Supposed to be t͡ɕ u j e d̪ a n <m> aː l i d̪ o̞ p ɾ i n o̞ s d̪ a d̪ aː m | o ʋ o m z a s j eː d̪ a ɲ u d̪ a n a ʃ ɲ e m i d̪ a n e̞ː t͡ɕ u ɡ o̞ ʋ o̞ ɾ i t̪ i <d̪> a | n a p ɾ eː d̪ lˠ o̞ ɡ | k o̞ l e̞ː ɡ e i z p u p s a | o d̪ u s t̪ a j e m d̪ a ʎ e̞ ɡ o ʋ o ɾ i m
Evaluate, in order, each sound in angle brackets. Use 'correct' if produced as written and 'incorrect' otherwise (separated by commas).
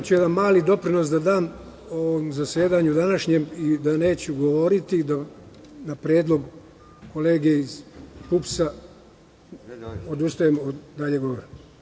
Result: correct, correct